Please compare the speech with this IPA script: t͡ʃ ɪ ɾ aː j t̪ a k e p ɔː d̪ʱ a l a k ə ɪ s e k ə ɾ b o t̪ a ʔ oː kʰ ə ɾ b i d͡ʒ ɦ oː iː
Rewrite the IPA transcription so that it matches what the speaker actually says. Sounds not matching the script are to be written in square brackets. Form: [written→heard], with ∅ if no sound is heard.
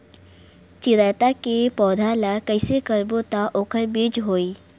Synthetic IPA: t͡ʃ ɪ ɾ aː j t̪ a k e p ɔː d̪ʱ a l a k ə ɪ s e k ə ɾ b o t̪ a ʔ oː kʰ ə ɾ b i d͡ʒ ɦ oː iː